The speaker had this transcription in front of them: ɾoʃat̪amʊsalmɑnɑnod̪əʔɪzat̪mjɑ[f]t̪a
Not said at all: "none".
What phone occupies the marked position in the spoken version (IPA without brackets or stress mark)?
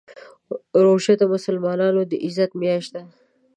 ʃ